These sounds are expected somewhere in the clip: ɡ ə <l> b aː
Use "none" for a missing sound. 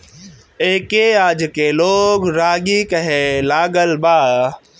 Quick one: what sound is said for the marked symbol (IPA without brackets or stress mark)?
l